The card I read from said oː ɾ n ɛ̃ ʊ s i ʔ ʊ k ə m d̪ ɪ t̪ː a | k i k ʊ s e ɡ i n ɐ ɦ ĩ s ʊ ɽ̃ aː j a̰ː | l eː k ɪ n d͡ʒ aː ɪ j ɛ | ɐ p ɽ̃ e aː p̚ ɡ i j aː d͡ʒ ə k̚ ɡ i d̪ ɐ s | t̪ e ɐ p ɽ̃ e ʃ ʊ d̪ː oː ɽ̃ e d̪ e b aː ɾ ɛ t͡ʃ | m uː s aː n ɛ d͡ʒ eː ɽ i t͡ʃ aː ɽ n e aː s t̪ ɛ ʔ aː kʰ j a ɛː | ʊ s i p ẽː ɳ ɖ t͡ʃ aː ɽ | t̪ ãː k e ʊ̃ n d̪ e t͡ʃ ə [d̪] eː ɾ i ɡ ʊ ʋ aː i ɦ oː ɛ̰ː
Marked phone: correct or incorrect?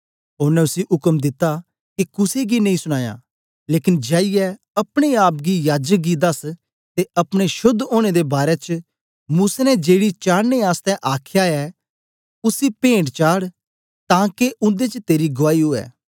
incorrect: t̪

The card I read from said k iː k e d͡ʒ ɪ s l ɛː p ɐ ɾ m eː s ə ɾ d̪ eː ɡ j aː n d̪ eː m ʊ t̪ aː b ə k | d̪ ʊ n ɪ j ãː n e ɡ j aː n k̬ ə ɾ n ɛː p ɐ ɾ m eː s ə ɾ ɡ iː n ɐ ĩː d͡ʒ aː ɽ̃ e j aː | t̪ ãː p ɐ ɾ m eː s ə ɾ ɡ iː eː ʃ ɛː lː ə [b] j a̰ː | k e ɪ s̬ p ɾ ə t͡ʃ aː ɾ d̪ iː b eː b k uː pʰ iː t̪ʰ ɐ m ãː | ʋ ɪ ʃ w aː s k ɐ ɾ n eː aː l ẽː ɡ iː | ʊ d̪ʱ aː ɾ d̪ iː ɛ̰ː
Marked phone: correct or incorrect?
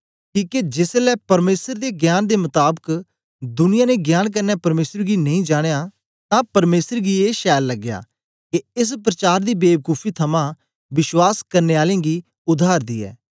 incorrect: ɡ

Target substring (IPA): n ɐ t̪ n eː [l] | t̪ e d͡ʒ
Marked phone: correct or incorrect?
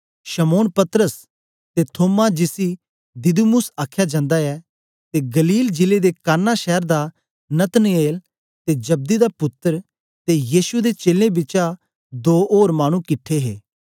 correct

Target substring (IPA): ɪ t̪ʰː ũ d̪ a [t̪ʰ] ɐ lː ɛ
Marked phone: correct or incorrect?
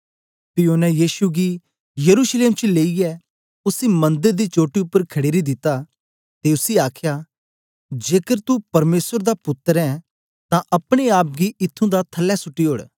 correct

